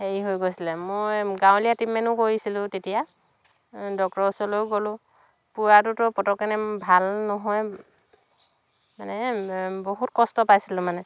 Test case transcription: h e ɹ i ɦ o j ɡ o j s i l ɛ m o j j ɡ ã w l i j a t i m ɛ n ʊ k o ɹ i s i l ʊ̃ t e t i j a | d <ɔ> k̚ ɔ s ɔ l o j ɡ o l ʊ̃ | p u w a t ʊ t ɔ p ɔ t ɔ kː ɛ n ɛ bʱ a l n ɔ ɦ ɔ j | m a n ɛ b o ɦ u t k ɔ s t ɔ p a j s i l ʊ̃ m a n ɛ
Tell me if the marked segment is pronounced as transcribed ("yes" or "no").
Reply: yes